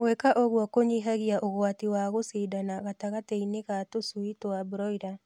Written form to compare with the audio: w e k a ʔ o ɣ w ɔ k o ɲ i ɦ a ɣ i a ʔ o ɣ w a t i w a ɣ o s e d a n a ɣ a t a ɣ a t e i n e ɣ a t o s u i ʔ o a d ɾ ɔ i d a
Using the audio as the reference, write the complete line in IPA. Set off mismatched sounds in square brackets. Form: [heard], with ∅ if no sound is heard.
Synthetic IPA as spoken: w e k a ʔ o ɣ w ɔ k o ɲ i ɦ a ɣ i a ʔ o ɣ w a t i w a ɣ o s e d a n a ɣ a t a ɣ a t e i n e ɣ a t o s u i [t] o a [b] ɾ ɔ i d a

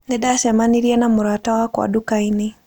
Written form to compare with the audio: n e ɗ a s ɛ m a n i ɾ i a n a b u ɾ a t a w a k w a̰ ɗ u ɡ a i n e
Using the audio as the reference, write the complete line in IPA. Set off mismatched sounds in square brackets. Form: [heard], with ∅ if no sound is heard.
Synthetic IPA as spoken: n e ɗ a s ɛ m a n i ɾ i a n a [m] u ɾ a t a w a k w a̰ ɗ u [k] a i n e

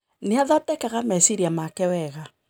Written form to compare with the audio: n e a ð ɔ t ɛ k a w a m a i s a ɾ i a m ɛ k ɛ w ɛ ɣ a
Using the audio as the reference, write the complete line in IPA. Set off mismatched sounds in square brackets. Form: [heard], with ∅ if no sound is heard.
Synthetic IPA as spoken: n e a ð ɔ t ɛ k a [ɣ] a m a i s [i] ɾ i a m [a] k ɛ w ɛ ɣ a

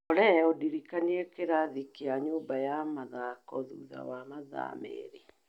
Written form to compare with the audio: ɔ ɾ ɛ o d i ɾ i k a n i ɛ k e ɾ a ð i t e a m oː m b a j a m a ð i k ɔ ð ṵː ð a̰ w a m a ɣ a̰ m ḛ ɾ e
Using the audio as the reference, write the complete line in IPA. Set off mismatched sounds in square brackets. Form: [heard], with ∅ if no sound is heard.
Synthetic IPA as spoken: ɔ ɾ ɛ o d i ɾ i k a n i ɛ k e ɾ a ð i [k] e a [ɲ] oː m b a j a m a ð [a] k ɔ ð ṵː ð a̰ w a m a [ð] a̰ m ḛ ɾ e

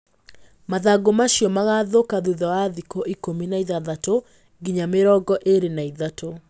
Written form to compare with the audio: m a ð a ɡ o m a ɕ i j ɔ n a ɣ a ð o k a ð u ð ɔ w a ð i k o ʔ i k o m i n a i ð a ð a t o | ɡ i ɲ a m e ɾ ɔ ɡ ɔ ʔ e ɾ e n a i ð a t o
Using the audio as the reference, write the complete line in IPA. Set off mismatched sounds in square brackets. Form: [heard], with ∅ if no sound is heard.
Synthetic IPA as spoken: m a ð a ɡ o m a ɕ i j ɔ [m] a ɣ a ð o k a ð u ð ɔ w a ð i k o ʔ i k o m i n a i ð a ð a t o | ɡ i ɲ a m e ɾ ɔ ɡ ɔ ʔ e ɾ e n a i ð a t o

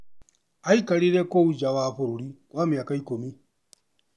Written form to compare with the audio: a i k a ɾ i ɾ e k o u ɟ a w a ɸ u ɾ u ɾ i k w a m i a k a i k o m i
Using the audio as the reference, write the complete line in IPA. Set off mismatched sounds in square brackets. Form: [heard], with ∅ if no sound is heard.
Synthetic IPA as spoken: a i k a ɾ i ɾ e k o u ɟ a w a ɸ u ɾ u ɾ i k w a m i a k a i k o m i

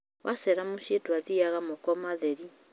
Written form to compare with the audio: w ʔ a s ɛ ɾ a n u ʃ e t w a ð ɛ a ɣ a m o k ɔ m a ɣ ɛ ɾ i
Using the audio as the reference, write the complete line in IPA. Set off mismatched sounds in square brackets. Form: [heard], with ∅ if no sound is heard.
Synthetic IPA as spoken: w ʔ a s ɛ ɾ a [m] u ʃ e t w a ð [i] a ɣ a m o k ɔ m a [ð] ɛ ɾ i

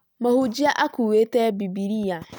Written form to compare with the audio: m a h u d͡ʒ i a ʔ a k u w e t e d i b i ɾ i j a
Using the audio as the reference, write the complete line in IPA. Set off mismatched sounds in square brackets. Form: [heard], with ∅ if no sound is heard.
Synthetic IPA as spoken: m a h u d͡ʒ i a ʔ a k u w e t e [b] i b i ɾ i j a

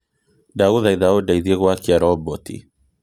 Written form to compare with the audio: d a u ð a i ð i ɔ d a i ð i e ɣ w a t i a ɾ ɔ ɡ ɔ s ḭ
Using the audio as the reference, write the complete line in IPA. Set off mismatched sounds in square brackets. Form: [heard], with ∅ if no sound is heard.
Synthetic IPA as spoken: d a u ð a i ð [a] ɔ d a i ð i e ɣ w a [k] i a ɾ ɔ [b] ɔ [t] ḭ

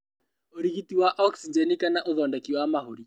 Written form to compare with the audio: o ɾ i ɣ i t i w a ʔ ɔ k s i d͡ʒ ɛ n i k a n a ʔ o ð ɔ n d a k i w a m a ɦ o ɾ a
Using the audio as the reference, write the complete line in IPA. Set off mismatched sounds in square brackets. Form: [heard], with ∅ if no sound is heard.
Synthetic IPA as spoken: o ɾ i ɣ i t i w a ʔ ɔ k s i d͡ʒ ɛ n i k a n a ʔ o ð ɔ n d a k i w a m a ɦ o ɾ [i]

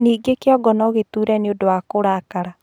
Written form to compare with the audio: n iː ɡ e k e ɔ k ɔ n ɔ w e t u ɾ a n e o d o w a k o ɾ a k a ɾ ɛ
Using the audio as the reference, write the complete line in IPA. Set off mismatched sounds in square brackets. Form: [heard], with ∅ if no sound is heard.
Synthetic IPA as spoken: n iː ɡ e k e ɔ [ɡ] ɔ n ɔ [ɣ] e t u ɾ [ɛ] n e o d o w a k o ɾ a k a ɾ [a]

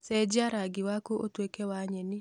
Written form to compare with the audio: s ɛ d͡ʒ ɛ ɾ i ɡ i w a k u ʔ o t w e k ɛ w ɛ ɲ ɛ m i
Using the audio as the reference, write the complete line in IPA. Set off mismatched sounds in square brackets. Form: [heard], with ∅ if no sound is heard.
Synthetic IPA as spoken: s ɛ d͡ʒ [a] ɾ [a] ɡ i w a k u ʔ o t w e k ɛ w [a] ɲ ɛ [n] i

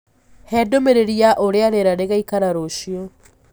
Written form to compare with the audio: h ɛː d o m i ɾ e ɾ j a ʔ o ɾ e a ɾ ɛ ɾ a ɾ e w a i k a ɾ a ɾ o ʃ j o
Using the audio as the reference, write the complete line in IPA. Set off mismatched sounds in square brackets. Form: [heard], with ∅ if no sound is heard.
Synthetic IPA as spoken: h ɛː d o m [e] ɾ e ɾ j a ʔ o ɾ e a ɾ [e] ɾ a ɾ e [ɣ] a i k a ɾ a ɾ o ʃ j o

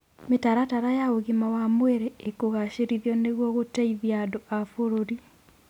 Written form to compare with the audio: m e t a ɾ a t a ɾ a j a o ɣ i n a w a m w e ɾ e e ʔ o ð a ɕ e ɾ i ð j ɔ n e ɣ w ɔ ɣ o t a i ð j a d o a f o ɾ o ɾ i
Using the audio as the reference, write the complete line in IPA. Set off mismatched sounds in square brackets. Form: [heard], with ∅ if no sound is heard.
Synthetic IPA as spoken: m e t a ɾ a t a ɾ a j a o ɣ i [m] a w a m w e ɾ e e [k] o [ɣ] a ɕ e ɾ i ð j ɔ n e ɣ w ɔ ɣ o t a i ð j a d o a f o ɾ o ɾ i

